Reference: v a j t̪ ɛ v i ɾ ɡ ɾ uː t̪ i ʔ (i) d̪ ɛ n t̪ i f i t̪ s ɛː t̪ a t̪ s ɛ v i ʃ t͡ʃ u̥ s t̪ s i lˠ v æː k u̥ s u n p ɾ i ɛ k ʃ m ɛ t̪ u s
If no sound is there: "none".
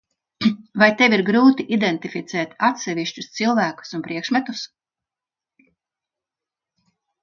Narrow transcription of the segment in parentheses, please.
i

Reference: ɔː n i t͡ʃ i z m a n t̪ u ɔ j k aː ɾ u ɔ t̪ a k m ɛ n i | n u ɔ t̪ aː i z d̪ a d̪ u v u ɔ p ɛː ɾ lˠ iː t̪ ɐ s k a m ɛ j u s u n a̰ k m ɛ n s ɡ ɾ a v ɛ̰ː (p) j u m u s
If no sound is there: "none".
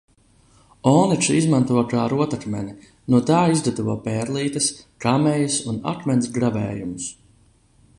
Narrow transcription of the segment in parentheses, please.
none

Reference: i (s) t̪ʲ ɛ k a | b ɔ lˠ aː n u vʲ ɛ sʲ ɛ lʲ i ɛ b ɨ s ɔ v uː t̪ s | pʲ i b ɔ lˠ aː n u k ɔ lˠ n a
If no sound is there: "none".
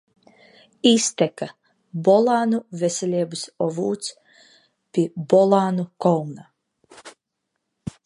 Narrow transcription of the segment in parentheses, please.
s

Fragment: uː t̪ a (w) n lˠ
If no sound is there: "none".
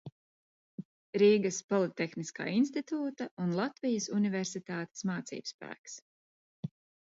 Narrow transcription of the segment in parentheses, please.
u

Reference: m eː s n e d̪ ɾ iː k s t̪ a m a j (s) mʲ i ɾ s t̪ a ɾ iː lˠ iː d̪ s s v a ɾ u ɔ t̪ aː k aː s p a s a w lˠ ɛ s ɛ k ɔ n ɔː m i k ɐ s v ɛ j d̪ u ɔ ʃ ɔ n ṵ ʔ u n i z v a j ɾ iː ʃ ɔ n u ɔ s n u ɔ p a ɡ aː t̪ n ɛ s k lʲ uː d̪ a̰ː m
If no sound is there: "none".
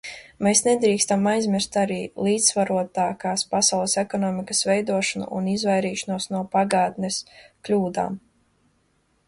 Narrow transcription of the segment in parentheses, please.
z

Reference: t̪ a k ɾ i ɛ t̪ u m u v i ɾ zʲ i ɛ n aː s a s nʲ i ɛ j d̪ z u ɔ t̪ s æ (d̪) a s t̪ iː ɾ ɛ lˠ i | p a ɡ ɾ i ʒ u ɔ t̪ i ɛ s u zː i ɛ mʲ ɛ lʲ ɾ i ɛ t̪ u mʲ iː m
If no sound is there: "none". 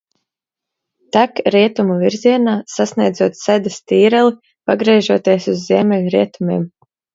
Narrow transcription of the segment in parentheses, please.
d̪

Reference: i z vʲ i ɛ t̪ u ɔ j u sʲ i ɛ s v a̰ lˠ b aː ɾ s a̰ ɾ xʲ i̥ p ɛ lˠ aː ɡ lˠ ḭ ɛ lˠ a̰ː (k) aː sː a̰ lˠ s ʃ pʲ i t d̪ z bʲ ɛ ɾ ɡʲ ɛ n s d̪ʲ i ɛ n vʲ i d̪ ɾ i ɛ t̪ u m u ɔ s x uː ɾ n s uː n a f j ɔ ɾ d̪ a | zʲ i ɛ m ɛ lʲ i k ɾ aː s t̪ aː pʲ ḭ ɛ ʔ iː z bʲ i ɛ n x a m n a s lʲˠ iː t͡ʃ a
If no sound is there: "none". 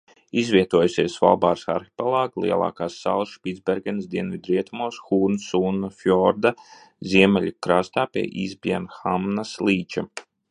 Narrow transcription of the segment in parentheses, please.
k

